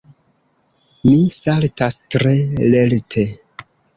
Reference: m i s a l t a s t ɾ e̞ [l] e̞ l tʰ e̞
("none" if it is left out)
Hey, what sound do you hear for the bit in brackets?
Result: l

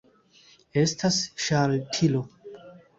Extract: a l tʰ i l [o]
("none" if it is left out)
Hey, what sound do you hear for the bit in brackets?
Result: o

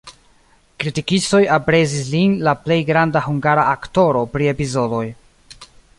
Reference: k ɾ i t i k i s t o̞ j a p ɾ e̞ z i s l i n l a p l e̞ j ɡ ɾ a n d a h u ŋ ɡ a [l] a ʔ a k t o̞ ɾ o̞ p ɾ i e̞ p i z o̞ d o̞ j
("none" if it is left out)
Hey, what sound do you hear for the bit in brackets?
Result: ɾ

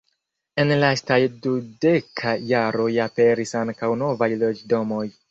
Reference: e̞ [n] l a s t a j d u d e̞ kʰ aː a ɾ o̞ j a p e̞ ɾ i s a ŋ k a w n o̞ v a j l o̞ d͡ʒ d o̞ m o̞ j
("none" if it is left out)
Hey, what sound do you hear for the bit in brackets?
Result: n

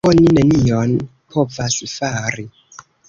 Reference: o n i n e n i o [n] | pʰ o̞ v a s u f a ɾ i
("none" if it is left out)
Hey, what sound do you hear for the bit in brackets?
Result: n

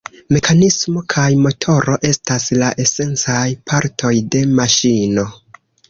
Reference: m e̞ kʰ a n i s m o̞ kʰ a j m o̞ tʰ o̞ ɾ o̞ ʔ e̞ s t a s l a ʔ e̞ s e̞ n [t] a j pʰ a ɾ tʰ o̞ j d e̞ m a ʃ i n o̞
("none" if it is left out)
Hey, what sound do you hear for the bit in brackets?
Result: t͡s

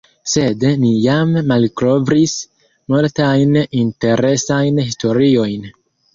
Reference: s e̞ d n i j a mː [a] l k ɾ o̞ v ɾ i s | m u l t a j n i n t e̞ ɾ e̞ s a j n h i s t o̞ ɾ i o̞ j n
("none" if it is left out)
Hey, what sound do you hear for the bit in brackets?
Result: a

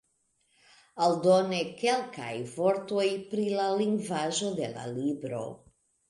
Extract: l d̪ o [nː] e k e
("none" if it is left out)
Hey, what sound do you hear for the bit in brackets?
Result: n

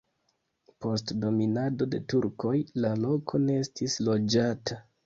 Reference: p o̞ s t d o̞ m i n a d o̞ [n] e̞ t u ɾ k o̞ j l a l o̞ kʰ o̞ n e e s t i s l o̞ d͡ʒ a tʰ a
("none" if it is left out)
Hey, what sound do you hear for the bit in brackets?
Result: d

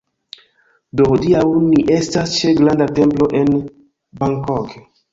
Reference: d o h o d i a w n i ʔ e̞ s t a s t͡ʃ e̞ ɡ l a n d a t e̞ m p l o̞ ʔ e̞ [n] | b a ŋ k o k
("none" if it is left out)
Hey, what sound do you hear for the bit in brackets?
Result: n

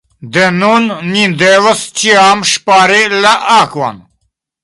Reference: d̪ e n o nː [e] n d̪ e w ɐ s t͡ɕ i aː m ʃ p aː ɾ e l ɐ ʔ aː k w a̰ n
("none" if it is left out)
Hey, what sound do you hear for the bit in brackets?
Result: i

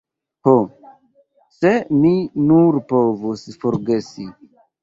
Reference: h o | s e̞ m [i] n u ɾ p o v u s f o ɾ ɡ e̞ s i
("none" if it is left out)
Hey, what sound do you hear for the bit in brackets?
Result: i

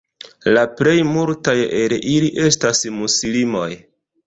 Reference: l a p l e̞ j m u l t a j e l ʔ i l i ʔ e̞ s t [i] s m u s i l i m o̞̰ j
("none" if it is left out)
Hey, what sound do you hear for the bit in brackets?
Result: a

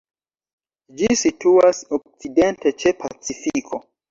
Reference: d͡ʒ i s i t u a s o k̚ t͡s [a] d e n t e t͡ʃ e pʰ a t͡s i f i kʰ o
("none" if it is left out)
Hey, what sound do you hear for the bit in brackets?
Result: i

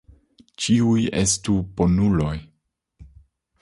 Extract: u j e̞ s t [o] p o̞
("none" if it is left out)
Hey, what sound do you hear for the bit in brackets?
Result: u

